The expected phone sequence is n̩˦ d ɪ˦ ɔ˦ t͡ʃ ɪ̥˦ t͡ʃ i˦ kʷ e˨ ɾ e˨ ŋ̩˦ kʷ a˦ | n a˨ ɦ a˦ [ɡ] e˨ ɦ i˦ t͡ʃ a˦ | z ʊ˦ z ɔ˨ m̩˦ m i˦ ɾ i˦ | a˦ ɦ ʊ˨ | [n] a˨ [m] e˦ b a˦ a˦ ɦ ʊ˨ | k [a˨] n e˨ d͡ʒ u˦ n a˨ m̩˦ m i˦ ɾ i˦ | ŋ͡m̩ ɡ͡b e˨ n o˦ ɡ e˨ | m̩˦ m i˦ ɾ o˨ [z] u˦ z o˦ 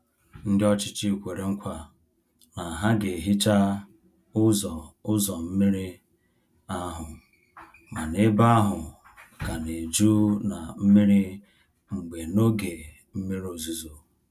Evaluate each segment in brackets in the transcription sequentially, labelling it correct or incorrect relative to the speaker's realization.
correct, incorrect: m, incorrect: n, correct, correct

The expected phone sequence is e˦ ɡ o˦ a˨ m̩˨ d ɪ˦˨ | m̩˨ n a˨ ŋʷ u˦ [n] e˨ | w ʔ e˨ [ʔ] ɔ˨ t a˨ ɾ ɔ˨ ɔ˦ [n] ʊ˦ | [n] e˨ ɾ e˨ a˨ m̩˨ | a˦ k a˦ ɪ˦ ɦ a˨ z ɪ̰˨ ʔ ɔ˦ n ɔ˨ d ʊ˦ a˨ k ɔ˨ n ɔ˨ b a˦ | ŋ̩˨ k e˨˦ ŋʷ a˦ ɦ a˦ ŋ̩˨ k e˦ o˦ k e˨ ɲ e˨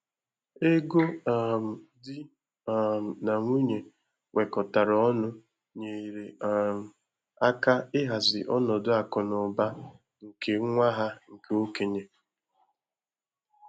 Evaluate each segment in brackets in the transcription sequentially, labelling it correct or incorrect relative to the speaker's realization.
incorrect: ɲ, incorrect: k, correct, incorrect: ɲ

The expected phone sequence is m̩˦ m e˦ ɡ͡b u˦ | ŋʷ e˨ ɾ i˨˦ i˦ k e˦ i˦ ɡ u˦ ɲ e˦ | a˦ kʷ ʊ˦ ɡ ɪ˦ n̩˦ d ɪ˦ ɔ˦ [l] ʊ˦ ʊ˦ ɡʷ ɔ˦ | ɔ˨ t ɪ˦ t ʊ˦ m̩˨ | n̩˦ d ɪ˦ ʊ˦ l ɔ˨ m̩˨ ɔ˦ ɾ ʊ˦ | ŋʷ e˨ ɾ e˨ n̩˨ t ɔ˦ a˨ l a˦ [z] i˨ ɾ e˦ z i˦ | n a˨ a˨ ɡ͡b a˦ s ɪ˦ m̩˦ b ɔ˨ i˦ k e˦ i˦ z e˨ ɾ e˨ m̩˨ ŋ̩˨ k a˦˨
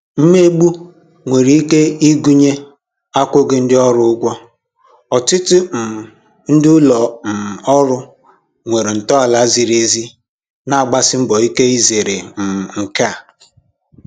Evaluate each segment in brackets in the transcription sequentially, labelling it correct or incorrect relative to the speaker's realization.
incorrect: ɾ, correct

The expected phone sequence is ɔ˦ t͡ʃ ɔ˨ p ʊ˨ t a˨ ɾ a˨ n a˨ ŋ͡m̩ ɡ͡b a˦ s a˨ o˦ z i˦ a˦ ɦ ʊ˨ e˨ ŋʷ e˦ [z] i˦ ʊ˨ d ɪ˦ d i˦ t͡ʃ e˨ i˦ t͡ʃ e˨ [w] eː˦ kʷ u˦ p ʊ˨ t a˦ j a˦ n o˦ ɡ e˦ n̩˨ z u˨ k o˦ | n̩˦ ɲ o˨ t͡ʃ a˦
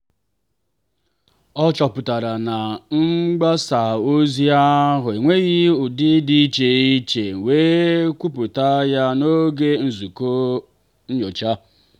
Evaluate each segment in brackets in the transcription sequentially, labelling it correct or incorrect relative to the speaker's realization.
incorrect: ɣ, correct

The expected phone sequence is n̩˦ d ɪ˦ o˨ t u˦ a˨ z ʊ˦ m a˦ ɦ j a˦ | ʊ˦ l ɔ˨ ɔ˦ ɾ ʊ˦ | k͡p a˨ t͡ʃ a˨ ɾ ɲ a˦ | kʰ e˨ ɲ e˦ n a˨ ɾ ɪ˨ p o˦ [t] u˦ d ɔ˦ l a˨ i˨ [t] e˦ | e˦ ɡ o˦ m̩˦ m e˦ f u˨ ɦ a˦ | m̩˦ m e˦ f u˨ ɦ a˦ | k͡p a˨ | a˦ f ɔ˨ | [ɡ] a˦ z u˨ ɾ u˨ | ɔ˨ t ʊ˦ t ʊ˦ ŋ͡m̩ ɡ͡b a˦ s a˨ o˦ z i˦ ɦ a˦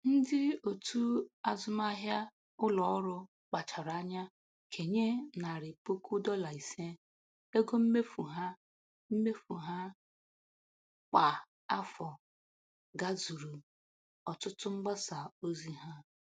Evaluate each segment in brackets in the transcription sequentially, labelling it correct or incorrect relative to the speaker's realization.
incorrect: k, incorrect: s, correct

